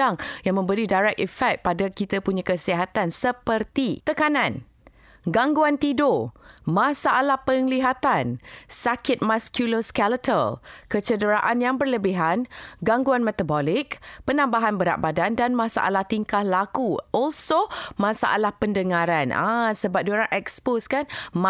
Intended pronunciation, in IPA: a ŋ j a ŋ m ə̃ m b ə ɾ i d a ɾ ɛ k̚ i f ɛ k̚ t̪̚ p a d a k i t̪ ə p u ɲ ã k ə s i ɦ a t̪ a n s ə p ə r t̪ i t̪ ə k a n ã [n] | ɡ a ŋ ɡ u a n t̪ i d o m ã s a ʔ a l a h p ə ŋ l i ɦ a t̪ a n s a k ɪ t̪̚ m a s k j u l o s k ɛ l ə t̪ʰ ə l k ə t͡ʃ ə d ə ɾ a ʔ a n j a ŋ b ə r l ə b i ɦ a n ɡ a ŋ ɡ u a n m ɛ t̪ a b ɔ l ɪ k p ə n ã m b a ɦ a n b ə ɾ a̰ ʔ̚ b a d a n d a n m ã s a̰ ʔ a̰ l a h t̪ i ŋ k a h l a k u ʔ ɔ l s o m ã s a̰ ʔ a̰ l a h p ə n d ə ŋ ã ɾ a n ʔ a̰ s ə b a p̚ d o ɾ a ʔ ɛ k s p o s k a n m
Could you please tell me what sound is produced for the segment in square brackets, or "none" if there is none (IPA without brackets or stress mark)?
n